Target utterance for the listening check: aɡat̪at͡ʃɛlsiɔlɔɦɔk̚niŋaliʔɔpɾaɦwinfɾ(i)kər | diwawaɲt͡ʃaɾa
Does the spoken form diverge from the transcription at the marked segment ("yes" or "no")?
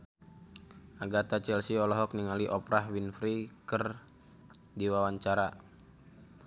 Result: no